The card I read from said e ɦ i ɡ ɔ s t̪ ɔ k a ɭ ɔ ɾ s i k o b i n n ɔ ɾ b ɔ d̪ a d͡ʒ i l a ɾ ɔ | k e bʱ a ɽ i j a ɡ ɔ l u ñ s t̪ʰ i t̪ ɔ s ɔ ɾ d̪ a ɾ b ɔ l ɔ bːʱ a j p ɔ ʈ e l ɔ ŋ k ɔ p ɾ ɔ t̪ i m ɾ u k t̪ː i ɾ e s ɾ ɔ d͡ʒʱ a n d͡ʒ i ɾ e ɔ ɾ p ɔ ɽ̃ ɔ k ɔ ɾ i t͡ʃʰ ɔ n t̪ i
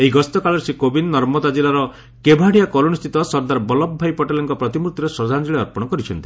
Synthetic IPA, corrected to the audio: e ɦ i ɡ ɔ s t̪ ɔ k a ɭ ɔ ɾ s i k o b i n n ɔ ɾ m ɔ d̪ a d͡ʒ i l a ɾ ɔ | k e bʱ a ɽ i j a k ɔ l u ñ s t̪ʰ i t̪ ɔ s ɔ ɾ d̪ a ɾ b ɔ l ɔ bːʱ a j p ɔ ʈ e l ɔ ŋ k ɔ p ɾ ɔ t̪ i m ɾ u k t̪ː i ɾ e s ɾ ɔ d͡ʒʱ a n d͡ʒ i ɭ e ɔ ɾ p ɔ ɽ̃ ɔ k ɔ ɾ i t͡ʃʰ ɔ n t̪ i